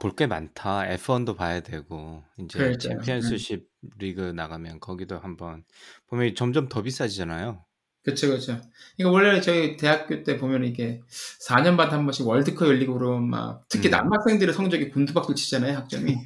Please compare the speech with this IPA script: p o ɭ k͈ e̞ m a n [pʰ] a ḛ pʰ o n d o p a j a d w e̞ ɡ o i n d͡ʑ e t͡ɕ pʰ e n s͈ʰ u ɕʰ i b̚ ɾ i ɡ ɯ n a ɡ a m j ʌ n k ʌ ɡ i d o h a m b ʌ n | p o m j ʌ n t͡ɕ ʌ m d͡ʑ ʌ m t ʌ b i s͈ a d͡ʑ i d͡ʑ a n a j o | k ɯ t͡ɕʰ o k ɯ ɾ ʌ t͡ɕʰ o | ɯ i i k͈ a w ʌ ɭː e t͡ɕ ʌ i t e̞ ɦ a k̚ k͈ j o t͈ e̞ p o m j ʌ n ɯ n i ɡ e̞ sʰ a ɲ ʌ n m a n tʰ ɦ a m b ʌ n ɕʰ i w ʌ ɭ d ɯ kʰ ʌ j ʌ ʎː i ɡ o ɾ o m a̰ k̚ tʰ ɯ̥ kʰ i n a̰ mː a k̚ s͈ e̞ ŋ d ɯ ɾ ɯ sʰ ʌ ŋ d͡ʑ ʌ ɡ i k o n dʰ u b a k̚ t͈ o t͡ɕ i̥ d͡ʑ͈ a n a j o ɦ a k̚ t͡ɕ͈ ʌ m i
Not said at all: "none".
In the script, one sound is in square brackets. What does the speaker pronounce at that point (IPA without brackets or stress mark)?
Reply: tʰ